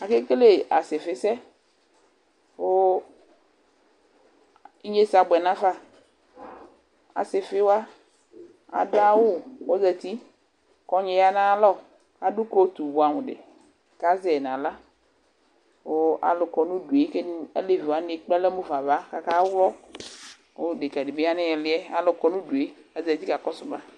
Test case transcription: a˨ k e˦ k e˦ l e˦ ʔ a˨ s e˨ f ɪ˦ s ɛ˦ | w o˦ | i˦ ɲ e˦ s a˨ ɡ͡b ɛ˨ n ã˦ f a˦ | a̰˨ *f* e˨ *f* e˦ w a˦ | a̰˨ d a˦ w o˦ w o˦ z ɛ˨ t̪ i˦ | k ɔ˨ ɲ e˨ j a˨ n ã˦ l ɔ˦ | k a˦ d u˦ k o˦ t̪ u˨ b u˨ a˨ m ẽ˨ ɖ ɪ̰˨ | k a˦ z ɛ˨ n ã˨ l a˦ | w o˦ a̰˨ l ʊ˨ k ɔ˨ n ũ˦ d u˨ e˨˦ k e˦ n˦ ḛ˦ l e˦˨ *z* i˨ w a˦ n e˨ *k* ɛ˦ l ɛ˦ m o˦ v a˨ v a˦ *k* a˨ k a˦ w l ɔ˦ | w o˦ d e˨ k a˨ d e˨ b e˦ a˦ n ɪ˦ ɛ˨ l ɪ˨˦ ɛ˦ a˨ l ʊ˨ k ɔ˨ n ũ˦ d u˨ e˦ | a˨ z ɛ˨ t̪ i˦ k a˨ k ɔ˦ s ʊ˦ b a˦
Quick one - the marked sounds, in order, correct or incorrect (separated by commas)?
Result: incorrect, correct, incorrect, incorrect, correct